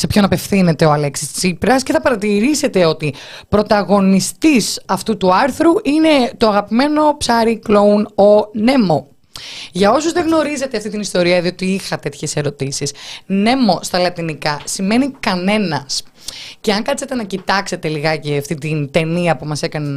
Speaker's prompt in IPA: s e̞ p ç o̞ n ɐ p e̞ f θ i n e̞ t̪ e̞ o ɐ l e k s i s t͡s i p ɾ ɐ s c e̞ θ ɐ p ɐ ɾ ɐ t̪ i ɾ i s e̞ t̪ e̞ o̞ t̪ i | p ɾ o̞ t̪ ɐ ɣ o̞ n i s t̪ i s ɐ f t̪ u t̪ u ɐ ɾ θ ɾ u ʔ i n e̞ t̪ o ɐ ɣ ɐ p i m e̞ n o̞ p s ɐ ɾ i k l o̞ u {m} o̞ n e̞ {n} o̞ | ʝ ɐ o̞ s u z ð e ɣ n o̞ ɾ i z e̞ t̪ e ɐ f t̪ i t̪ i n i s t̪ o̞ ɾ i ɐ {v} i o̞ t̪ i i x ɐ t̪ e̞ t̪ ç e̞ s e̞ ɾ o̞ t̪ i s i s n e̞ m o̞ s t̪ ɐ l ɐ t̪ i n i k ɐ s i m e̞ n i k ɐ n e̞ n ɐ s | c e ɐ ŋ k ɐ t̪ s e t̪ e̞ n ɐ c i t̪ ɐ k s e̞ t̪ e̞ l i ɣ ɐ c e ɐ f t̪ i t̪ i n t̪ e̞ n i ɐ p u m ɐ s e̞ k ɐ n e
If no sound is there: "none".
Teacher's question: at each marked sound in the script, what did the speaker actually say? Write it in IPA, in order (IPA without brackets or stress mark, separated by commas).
n, m, ð